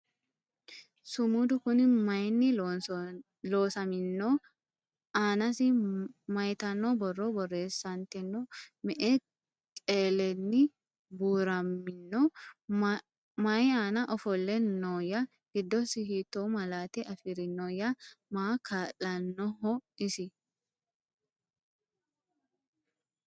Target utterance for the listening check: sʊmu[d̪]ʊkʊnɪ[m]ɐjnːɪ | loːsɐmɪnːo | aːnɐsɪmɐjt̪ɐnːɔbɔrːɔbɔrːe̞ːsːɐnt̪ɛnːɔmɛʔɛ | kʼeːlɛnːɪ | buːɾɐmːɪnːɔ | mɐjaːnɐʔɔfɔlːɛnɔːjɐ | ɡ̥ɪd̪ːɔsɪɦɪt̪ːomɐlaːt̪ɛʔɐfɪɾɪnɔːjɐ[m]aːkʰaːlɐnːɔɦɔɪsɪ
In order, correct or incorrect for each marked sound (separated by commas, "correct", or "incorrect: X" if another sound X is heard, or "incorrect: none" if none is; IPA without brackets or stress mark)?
correct, correct, correct